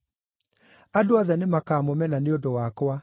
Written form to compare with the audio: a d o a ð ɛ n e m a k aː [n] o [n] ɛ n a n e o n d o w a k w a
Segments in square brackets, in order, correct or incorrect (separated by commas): incorrect, incorrect